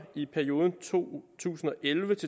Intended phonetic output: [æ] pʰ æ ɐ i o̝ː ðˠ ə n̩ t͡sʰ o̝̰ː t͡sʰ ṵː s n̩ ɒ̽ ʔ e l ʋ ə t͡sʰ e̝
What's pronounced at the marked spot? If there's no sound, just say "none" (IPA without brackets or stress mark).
i